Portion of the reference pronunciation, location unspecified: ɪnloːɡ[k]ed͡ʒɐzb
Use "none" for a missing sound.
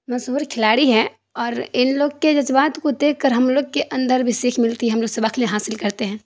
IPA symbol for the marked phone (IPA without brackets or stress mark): k